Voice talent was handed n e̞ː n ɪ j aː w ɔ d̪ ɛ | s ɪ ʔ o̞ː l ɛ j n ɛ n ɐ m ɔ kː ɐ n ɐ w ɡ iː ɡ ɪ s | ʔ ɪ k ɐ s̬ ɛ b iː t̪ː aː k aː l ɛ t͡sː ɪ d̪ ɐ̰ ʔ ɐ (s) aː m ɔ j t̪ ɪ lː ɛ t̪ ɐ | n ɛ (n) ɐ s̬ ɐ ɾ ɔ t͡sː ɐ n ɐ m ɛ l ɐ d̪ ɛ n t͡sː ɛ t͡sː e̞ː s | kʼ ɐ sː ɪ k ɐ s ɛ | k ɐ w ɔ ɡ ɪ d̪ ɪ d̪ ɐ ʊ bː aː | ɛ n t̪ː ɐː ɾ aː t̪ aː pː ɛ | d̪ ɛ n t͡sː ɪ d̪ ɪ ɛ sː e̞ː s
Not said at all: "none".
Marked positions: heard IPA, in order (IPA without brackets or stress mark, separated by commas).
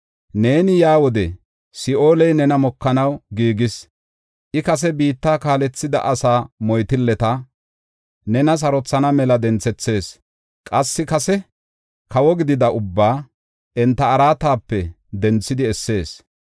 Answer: s, n